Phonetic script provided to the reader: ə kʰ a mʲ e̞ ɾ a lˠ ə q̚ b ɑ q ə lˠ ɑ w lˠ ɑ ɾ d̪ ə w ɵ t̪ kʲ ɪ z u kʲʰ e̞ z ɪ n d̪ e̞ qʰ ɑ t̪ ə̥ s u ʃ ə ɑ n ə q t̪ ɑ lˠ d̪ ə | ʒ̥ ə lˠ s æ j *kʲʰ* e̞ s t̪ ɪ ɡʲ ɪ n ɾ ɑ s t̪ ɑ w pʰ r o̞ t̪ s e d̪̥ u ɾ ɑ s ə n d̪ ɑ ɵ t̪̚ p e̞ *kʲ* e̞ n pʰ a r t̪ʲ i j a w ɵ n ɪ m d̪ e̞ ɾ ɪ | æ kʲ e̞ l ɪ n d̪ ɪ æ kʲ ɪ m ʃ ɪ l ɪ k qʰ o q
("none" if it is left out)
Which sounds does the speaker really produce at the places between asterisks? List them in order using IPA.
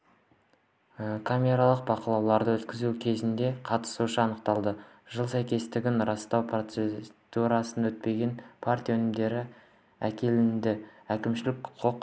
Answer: kʲ, ɡʲ

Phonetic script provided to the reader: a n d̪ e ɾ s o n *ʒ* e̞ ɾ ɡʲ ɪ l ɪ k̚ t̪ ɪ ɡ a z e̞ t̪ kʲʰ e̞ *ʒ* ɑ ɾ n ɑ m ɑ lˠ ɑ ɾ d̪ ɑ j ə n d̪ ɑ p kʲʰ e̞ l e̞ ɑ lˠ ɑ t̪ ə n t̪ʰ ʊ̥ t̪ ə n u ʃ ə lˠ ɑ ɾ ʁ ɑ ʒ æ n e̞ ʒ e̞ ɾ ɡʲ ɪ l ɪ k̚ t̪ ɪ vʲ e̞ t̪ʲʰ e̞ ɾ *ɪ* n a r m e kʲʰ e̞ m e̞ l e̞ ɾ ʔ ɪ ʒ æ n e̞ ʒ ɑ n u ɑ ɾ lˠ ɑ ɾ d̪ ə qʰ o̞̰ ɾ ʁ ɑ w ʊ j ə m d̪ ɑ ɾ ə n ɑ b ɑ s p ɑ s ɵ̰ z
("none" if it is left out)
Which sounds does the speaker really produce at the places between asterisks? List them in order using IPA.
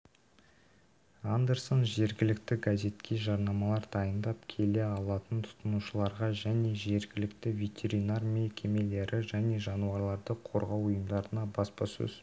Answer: ʒ, ʒ, i

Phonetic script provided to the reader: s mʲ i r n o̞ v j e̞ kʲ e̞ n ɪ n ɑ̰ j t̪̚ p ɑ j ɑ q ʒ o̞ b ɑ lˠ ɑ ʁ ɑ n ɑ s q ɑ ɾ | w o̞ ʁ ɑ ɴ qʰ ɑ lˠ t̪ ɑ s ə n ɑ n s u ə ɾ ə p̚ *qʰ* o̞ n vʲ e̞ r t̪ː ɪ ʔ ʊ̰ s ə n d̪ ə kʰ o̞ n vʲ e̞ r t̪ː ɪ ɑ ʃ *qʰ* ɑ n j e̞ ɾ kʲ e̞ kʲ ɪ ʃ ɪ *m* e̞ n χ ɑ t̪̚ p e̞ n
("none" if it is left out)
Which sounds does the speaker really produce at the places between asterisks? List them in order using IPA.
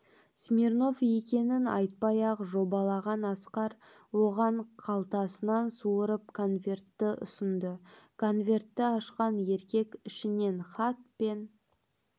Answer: kʰ, q, n

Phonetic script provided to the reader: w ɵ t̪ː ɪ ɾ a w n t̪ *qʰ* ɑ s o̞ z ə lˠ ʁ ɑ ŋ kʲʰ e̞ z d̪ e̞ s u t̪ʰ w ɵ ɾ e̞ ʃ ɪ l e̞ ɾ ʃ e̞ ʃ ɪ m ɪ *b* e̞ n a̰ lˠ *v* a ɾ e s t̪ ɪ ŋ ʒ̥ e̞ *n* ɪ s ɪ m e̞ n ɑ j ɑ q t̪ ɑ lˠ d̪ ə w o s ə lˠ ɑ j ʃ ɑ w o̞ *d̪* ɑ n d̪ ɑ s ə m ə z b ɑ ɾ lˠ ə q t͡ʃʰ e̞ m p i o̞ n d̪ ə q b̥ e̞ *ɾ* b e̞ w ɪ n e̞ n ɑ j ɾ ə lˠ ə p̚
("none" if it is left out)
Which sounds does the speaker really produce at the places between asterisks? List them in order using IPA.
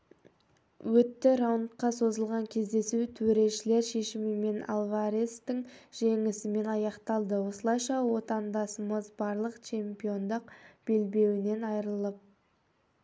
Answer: q, m, v, ŋ, t̪, l

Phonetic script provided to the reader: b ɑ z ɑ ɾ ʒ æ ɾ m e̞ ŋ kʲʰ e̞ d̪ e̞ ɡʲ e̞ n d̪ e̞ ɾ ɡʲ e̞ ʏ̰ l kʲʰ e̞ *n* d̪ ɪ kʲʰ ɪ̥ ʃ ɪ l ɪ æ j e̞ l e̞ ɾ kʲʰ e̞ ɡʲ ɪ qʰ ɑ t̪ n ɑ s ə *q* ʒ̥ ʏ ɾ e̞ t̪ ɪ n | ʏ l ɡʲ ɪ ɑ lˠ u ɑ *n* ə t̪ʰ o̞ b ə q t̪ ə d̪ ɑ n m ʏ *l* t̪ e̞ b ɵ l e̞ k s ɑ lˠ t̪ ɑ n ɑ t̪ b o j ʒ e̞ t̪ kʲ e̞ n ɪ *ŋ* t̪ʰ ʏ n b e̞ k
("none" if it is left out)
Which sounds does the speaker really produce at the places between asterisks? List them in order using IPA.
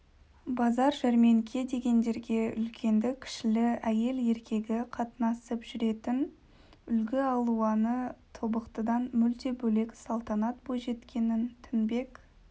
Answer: n, p, n, l, n

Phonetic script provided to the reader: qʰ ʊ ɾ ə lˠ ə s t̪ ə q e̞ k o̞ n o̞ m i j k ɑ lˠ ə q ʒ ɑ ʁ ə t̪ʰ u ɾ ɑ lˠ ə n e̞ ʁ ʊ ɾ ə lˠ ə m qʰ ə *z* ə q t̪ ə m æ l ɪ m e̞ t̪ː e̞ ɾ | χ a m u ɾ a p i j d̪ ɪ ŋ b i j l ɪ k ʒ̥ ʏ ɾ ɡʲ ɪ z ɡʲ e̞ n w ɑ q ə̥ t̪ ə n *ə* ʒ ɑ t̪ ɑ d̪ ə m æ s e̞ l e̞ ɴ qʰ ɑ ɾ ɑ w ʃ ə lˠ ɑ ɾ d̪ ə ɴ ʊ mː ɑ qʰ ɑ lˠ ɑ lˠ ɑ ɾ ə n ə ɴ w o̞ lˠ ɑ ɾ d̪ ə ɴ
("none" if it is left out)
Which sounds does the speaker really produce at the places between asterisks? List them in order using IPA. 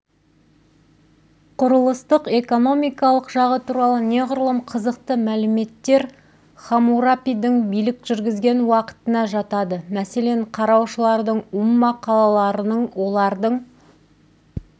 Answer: z, ɑ

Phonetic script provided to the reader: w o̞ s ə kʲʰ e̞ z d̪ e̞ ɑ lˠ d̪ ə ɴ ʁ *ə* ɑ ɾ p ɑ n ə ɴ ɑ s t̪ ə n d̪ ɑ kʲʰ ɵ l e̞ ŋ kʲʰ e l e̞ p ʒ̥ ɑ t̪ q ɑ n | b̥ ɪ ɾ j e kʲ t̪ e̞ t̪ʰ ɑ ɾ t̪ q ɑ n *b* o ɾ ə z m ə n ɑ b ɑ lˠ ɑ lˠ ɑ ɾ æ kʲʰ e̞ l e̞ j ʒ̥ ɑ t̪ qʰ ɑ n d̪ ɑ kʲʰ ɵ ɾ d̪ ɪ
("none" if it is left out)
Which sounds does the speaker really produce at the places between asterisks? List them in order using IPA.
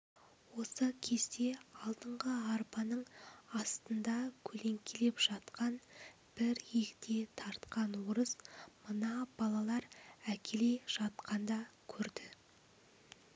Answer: ə, w

